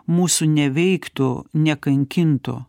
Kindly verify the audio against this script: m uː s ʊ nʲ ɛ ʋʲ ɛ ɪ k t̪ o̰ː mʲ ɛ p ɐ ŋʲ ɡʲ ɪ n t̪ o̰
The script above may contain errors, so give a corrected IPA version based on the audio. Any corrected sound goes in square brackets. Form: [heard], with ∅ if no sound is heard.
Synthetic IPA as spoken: m uː s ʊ nʲ ɛ ʋʲ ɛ ɪ k t̪ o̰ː [nʲ] ɛ [k] ɐ ŋʲ [kʲ] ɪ n t̪ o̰